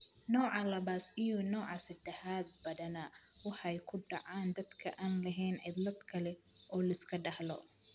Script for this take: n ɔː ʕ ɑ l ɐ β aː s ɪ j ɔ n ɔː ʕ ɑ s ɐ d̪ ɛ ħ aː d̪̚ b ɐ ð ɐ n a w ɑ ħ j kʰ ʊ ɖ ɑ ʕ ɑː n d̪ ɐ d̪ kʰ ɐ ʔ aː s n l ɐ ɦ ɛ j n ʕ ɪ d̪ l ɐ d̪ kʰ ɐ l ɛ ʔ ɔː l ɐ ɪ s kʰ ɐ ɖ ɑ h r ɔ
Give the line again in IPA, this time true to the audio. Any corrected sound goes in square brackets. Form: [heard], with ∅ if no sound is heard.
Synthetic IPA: n ɔː ʕ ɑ l ɐ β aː s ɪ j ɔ n ɔː ʕ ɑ s ɐ d̪ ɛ ħ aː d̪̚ b ɐ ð ɐ n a w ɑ ħ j kʰ ʊ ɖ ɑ ʕ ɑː n d̪ ɐ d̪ kʰ ɐ ʔ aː [∅] n l ɐ ɦ ɛ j n ʕ ɪ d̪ l ɐ d̪ kʰ ɐ l ɛ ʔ ɔː l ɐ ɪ s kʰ ɐ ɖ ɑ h [l] ɔ